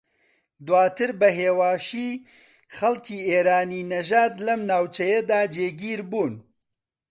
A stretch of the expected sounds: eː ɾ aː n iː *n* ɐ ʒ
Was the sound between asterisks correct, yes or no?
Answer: yes